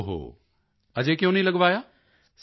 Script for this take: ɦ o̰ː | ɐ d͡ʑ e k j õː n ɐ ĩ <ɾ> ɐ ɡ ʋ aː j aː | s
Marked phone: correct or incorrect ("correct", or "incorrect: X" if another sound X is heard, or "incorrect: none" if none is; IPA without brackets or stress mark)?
incorrect: l